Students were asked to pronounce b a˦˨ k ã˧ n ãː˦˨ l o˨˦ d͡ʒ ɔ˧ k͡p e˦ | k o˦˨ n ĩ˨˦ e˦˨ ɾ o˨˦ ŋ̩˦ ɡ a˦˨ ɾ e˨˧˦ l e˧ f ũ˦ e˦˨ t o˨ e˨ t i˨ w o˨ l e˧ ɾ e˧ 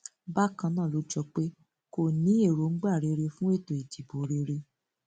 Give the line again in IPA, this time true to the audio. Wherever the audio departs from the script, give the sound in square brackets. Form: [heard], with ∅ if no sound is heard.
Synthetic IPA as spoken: b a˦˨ k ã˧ n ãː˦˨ l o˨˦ d͡ʒ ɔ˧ k͡p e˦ | k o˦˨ n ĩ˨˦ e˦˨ ɾ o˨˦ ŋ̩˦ [ɡ͡b] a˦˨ ɾ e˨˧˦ [ɾ] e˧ f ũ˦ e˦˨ t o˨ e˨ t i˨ [b] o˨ [ɾ] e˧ ɾ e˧